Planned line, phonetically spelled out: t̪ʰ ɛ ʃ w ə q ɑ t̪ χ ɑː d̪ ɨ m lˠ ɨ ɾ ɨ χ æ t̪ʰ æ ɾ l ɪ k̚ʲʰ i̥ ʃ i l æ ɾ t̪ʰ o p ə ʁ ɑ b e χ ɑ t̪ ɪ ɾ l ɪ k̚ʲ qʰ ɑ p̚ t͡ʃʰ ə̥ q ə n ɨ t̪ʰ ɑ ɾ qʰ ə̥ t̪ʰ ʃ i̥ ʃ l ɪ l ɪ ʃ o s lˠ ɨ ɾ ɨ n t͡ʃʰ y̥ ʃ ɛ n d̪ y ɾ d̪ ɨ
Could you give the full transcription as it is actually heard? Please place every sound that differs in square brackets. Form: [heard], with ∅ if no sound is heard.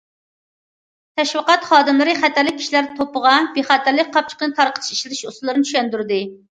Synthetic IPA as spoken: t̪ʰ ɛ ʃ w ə q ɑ t̪ χ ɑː d̪ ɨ m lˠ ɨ ɾ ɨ χ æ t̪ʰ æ ɾ l ɪ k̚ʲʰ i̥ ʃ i l æ ɾ t̪ʰ o p ə ʁ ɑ b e χ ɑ t̪ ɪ ɾ l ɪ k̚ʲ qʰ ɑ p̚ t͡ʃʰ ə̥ q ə n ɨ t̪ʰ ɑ ɾ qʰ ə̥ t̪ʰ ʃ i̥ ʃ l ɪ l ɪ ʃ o s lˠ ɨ ɾ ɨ n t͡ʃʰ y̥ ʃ ɛ n d̪ y ɾ d̪ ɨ